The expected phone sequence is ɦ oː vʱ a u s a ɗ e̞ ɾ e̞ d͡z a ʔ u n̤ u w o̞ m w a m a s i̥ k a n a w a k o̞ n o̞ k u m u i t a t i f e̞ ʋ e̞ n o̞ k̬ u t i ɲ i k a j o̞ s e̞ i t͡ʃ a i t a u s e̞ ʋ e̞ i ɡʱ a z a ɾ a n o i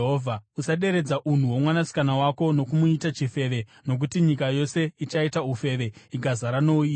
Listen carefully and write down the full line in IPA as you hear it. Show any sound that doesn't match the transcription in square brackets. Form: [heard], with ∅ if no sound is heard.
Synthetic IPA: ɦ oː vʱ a u s a ɗ e̞ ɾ e̞ d͡z a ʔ u n̤ u w o̞ m w a [n] a s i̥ k a n a w a k o̞ n o̞ k u m u i t a [t͡ʃ] i f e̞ ʋ e̞ n o̞ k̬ u t i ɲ i k a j o̞ s e̞ i t͡ʃ a i t a u [f] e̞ ʋ e̞ i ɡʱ a z a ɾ a n o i